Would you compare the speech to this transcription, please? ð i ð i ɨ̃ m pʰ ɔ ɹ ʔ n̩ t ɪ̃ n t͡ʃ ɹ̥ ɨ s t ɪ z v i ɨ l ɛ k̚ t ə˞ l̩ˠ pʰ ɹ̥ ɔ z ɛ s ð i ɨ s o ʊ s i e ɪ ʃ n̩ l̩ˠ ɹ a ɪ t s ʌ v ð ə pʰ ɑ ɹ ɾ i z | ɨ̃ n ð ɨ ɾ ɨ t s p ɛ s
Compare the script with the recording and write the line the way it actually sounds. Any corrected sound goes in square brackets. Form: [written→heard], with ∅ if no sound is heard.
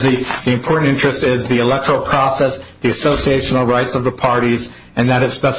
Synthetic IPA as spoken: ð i ð i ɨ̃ m pʰ ɔ ɹ ʔ n̩ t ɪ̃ n t͡ʃ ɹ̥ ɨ s t ɪ z [v→ð] i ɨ l ɛ k̚ t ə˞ l̩ˠ pʰ ɹ̥ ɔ [z→s] ɛ s ð i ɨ s o ʊ s i e ɪ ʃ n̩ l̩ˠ ɹ a ɪ t s ʌ v ð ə pʰ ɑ ɹ ɾ i z | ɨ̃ n ð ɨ ɾ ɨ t s p ɛ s